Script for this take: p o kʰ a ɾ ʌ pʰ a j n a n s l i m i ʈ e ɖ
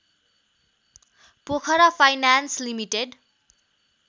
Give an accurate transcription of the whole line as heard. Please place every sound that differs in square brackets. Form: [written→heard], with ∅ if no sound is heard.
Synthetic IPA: p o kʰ [a→ʌ] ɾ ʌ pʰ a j n a n s l i m i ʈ e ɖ